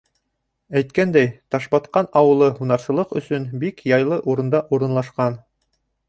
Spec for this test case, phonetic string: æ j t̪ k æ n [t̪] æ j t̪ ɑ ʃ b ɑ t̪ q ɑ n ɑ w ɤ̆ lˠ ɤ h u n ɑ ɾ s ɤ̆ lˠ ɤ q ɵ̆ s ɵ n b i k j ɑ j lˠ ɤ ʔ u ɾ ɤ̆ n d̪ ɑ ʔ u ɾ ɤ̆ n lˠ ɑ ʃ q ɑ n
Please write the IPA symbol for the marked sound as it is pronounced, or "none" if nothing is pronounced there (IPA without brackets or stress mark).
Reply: d̪